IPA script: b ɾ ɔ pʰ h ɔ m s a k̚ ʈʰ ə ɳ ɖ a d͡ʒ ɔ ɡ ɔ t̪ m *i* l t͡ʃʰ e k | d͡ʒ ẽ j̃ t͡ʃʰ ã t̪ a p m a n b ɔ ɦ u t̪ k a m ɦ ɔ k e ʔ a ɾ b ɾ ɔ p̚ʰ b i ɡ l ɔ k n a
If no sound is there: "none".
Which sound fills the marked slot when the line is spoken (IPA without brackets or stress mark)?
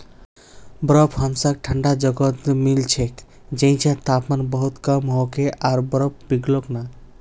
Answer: i